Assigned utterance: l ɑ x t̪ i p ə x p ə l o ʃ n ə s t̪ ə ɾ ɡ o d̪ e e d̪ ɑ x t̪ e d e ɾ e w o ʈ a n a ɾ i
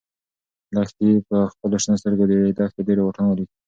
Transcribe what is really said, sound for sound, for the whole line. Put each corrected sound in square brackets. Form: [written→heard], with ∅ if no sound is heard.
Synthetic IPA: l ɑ x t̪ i p ə x p ə l o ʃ n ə s t̪ ə ɾ ɡ o d̪ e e d̪ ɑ x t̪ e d e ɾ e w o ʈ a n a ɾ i

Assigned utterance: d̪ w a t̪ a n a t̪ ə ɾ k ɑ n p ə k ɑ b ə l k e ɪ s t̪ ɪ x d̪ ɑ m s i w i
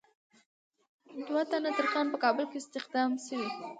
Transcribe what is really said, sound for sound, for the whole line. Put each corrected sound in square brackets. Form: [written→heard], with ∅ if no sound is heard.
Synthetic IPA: d̪ w a t̪ a n a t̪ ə ɾ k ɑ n p ə k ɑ b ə l k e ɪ s t̪ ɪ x d̪ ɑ m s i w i

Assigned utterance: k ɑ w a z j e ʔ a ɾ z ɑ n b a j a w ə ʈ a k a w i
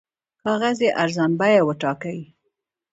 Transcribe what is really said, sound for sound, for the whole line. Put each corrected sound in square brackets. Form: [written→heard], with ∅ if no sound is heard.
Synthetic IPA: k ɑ [w→ɣ] a z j e ʔ a ɾ z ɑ n b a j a w ə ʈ [a→ɑ] k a w i

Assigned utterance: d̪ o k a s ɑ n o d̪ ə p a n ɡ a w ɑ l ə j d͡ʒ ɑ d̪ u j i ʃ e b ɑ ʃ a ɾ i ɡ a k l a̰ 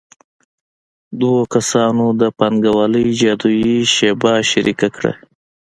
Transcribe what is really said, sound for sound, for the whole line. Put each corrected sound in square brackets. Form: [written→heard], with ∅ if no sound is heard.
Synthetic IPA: d̪ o k a s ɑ n o d̪ ə p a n ɡ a w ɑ l ə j d͡ʒ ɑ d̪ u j i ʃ e b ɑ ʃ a ɾ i [ɡ→k] a k [l→ɽ] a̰

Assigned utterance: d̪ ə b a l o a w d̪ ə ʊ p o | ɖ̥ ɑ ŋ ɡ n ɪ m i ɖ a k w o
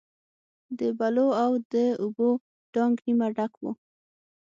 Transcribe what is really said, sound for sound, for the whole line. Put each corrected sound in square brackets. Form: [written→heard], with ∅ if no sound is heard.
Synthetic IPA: d̪ ə b a l o a w d̪ ə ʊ [p→b] o | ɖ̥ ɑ ŋ ɡ n [ɪ→i] m [i→a] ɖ a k w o

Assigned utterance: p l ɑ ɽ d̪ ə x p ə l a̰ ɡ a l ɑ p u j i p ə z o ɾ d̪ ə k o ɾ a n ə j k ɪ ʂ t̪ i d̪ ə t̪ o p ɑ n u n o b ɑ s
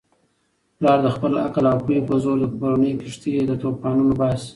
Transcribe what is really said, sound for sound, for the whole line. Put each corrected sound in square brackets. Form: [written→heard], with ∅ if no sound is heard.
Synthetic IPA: p l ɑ [ɽ→ɾ] d̪ ə x p ə l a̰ [ɡ→k] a l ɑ p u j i p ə z o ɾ d̪ ə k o ɾ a n ə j k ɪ ʂ t̪ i d̪ ə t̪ o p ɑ n u n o b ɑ s

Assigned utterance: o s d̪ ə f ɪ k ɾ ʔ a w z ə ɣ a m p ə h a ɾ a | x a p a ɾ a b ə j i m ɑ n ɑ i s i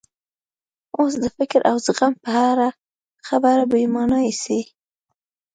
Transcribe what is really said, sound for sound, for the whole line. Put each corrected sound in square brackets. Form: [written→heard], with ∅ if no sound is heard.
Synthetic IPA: o s d̪ ə f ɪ k ɾ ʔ a w z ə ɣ a m p ə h a ɾ a | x a [p→b] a ɾ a b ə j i m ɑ n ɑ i s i

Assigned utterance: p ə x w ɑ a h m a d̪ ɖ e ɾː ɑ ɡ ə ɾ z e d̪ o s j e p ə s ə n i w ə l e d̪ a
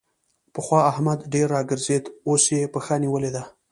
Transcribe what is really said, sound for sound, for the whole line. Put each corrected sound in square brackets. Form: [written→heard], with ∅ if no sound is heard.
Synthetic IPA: p ə x w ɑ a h m a d̪ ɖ e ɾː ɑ ɡ ə ɾ z e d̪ o s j e p ə [s→x] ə n i w ə l e d̪ a

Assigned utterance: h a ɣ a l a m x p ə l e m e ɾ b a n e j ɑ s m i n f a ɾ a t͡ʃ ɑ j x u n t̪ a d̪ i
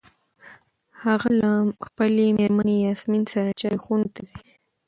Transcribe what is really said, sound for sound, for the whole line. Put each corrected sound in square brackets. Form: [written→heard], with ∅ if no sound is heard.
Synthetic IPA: h a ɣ a l a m x p ə l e m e ɾ [b→m] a n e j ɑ s m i n [f→s] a ɾ a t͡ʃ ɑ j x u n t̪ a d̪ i

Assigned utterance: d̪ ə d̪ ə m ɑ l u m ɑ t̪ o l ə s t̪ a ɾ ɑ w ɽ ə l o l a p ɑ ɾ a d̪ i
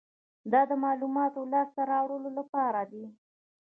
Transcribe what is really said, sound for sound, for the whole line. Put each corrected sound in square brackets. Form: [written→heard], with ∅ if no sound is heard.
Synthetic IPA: d̪ [ə→ɑ] d̪ ə m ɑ l u m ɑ t̪ o l [ə→ɑ] s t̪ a ɾ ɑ w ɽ ə l o l a p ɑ ɾ a d̪ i

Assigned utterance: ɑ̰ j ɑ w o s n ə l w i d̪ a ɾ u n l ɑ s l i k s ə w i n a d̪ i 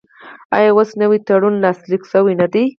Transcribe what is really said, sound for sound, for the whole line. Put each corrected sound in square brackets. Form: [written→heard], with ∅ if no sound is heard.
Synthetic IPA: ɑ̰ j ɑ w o s n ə [l→∅] w i [d̪→t̪] a [ɾ→ɽ] u n l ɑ s l i k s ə w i n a d̪ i

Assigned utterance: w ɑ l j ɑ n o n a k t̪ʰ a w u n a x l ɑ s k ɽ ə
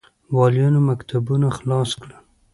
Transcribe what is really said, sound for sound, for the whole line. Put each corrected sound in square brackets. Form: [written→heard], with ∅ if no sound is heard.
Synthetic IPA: w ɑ l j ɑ n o [n→m] a k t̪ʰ a [w→b] u n a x l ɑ s k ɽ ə

